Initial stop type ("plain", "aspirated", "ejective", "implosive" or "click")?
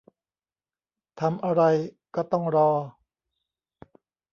aspirated